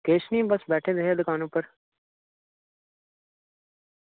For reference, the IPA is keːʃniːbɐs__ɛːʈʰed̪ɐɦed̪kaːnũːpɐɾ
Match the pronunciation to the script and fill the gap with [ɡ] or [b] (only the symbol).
b